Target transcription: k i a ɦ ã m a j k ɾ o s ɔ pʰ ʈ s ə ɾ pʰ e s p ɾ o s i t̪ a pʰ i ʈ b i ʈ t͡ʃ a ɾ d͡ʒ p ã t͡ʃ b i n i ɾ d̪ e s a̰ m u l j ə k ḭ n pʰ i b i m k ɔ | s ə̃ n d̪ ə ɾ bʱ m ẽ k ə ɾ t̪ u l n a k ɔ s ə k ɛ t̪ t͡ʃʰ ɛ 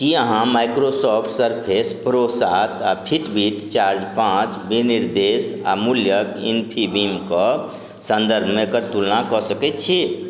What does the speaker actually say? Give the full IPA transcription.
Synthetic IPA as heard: k i ə ɦ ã m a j k ɾ o s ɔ pʰ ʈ s ə ɾ pʰ e s p ɾ o s a t̪ a pʰ i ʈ b i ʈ t͡ʃ a ɾ d͡ʒ p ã t͡ʃ b i n i ɾ d̪ e s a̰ m u l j ə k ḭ n pʰ i b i m k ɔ | s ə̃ n d̪ ə ɾ bʱ m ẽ k ə ɾ t̪ u l n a k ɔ s ə k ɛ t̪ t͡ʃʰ i